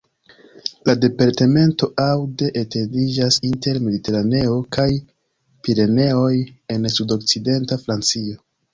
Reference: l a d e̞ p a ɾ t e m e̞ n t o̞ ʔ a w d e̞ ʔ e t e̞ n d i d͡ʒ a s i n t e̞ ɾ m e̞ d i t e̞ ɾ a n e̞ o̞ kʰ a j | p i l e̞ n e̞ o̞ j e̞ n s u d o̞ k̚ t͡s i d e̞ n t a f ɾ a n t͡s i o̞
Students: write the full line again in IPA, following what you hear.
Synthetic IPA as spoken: l a d e̞ p a ɾ t e m e̞ n t o̞ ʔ a w d e̞ ʔ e t e̞ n d i d͡ʒ a s i n t e̞ ɾ m e̞ d i t e̞ ɾ a n e̞ o̞ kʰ a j | p i ɾ e̞ n e̞ o̞ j e̞ n s u d o̞ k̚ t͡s i d e̞ n t a f ɾ a n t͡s i o̞